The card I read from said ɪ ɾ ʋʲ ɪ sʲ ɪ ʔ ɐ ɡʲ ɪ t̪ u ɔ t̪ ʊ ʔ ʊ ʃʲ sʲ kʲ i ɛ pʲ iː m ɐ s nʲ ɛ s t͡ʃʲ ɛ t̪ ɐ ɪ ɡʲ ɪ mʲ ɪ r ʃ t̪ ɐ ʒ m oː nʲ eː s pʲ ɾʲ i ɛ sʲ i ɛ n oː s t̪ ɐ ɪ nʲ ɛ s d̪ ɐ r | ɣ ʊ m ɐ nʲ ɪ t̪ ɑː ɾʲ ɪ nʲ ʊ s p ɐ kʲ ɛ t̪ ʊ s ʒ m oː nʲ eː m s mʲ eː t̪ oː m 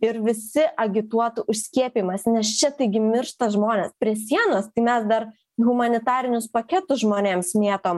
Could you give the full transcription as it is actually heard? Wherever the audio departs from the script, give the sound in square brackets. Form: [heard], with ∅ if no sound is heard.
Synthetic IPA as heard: ɪ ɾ ʋʲ ɪ sʲ ɪ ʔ ɐ ɡʲ ɪ t̪ u ɔ t̪ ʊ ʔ ʊ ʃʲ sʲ kʲ i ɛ pʲ iː m ɐ s nʲ ɛ s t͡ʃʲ ɛ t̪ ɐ ɪ ɡʲ ɪ mʲ ɪ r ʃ t̪ ɐ ʒ m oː nʲ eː s pʲ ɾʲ i ɛ sʲ i ɛ n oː s t̪ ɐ ɪ [mʲ] ɛ s d̪ ɐ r | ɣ ʊ m ɐ nʲ ɪ t̪ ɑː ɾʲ ɪ nʲ ʊ s p ɐ kʲ ɛ t̪ ʊ s ʒ m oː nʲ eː m s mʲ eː t̪ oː m